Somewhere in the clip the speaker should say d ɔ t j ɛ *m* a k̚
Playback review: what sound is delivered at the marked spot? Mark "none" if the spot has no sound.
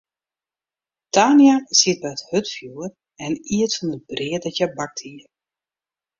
b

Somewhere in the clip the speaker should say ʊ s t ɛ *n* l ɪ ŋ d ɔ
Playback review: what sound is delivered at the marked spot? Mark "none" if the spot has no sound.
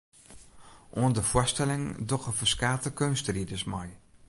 none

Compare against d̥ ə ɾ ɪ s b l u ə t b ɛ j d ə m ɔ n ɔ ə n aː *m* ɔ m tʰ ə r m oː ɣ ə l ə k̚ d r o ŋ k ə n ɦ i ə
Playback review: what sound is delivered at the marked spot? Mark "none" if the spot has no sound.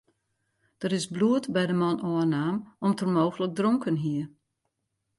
m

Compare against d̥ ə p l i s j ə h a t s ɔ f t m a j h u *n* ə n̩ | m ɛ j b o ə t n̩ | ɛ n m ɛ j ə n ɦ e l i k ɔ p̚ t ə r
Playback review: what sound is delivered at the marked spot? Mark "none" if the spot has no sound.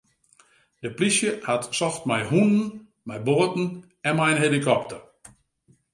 n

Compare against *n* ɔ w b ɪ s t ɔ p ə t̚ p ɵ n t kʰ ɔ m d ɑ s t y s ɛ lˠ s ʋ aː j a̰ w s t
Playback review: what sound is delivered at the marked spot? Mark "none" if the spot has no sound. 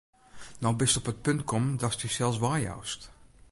n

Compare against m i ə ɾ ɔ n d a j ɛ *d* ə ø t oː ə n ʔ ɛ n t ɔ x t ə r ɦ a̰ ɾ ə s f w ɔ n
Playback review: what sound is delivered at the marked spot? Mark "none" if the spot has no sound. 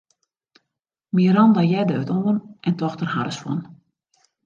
d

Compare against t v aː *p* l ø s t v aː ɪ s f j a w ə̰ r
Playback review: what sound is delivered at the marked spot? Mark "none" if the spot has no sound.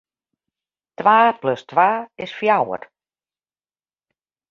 p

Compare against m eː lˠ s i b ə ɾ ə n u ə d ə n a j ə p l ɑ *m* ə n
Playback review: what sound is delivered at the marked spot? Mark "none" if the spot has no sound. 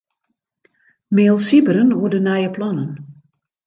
n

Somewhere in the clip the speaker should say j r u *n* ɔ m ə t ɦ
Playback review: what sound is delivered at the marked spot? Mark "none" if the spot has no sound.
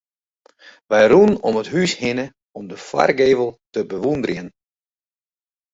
n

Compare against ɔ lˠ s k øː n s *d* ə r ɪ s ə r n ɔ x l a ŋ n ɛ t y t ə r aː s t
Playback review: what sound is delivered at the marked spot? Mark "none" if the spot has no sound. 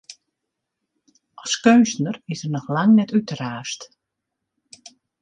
n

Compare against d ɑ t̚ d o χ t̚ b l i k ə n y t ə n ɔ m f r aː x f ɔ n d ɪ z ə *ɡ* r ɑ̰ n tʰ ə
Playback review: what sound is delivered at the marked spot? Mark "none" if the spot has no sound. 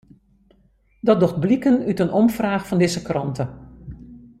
k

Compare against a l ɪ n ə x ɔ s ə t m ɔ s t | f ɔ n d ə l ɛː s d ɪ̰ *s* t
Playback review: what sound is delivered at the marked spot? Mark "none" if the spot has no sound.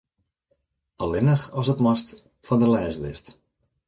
s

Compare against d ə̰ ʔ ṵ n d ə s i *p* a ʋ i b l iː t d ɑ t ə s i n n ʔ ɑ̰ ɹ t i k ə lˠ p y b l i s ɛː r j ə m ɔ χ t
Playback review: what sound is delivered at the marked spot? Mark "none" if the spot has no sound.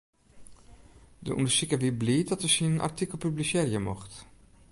k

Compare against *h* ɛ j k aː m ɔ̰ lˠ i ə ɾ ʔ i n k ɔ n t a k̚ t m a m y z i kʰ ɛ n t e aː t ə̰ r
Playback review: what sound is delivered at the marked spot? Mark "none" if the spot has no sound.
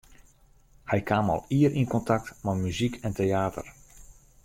h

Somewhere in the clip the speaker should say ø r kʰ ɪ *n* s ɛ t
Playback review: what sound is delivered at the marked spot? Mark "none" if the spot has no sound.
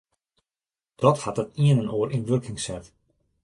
ŋ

